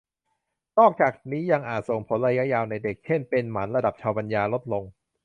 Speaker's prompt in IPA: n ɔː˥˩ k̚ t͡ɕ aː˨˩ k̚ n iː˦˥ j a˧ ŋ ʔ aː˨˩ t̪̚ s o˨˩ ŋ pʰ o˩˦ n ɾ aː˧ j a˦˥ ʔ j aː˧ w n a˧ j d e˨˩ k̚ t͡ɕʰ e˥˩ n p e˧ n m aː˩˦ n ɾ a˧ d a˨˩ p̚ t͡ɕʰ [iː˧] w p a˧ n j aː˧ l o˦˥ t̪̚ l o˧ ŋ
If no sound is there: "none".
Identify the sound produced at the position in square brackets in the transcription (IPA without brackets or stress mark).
aː˧